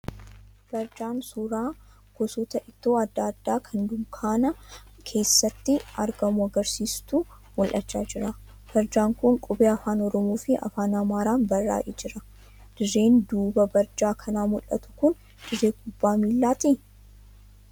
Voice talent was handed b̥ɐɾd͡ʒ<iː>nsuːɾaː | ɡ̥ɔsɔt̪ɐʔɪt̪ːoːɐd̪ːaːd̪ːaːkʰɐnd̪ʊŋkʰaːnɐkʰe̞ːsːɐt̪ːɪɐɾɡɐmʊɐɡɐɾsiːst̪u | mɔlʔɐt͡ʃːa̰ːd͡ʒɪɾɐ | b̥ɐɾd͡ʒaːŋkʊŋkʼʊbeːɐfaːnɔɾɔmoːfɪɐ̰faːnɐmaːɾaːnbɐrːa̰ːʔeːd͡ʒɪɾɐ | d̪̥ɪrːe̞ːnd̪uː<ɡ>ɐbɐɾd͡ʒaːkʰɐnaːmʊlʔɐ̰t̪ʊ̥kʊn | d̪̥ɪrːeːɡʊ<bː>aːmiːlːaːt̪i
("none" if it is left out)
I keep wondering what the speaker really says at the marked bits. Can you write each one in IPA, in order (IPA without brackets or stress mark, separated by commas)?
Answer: aː, b, bː